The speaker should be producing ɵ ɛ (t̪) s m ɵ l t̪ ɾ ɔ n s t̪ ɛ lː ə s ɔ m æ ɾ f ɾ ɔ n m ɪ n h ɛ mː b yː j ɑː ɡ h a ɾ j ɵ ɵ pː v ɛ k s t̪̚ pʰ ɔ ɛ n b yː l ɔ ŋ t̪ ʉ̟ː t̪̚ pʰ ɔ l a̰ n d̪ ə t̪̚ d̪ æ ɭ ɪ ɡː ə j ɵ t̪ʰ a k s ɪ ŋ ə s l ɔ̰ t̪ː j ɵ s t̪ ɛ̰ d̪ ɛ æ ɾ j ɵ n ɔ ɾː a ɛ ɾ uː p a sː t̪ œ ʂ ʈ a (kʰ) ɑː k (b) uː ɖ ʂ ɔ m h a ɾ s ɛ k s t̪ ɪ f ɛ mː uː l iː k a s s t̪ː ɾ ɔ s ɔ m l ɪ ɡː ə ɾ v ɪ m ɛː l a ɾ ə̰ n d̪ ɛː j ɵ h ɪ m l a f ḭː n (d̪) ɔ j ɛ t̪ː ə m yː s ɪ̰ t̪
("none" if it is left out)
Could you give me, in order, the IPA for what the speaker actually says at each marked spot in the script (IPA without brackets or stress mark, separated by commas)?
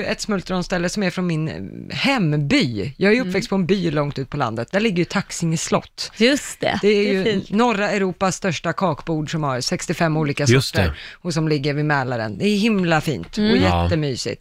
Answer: t̪, kʰ, b, t̪